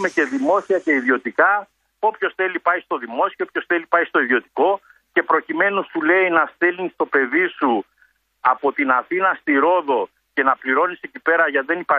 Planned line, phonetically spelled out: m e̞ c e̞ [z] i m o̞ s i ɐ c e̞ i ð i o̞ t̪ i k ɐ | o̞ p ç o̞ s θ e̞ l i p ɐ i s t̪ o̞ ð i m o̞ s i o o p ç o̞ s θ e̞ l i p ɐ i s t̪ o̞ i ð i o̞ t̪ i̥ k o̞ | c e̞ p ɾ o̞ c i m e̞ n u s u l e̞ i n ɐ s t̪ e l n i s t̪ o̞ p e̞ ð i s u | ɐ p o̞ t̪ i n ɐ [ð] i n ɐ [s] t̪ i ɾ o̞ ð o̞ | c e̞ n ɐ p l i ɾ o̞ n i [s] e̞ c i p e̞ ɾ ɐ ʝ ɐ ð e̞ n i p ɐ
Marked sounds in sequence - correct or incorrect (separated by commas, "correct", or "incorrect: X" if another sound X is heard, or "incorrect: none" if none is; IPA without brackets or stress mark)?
incorrect: ð, incorrect: θ, correct, correct